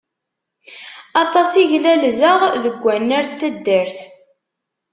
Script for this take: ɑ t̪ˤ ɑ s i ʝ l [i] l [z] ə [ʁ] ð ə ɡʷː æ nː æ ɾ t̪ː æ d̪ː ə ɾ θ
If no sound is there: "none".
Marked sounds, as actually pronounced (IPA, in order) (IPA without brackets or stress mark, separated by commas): æ, z, ʁ